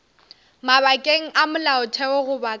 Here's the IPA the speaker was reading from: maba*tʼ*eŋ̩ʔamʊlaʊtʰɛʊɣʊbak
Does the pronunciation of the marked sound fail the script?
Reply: yes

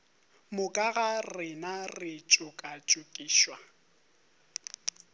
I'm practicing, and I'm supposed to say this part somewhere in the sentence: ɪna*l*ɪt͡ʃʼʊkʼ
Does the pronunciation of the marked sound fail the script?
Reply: yes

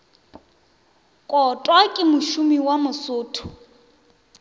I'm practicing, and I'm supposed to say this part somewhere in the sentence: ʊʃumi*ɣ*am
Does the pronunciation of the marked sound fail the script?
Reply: yes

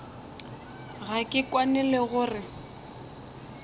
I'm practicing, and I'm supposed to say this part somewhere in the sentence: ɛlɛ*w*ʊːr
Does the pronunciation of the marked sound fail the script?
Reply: yes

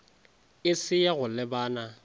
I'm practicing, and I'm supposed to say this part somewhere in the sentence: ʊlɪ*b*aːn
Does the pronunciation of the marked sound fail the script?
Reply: no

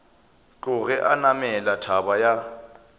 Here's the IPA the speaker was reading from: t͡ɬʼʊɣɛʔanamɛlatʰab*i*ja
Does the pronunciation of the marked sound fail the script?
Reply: yes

